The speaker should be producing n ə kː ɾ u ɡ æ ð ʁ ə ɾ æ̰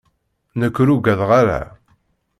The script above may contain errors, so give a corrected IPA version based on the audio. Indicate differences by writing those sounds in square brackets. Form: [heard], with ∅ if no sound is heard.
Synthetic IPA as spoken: n ə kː ɾ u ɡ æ ð ʁ [a] ɾ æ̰